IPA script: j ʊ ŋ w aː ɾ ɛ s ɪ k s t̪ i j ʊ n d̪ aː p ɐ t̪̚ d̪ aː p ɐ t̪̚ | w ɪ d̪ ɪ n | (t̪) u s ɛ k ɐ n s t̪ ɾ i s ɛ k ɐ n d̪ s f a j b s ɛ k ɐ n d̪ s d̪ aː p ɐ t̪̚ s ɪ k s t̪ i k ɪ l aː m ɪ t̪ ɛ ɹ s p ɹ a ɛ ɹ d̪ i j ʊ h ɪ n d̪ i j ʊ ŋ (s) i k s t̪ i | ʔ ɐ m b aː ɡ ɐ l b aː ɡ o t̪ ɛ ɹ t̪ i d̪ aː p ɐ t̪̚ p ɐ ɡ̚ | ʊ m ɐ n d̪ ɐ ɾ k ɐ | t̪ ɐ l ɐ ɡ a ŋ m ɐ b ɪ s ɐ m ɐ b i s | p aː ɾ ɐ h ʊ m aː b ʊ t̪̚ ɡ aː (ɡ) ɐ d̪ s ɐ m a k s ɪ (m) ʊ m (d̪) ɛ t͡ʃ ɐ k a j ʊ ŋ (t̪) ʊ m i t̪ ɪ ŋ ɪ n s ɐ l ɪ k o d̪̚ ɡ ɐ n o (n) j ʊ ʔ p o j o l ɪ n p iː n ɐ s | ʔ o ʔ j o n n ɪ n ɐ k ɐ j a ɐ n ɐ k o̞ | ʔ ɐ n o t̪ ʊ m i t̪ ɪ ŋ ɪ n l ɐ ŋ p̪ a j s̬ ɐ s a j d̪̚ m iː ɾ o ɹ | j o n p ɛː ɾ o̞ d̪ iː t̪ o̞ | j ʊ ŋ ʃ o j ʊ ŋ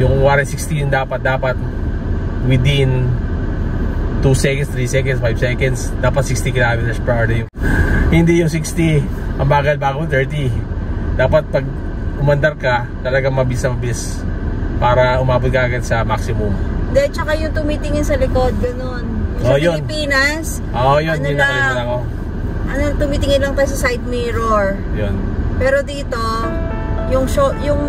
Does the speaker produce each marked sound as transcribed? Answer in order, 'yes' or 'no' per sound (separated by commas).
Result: yes, yes, yes, yes, yes, yes, yes